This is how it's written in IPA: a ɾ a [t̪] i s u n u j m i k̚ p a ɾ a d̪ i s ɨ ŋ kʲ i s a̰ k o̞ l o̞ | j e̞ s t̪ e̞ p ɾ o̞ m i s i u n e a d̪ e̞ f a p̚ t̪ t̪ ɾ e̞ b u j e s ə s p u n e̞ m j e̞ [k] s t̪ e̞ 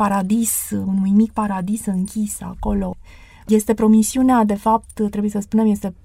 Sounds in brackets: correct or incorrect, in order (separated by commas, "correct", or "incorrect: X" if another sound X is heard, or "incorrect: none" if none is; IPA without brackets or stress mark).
incorrect: d̪, incorrect: none